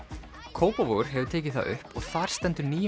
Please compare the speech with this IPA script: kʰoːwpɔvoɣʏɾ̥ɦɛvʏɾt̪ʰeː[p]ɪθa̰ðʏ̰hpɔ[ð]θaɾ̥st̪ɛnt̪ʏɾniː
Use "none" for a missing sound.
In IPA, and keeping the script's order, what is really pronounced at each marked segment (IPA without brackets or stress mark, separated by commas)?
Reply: c, ɣ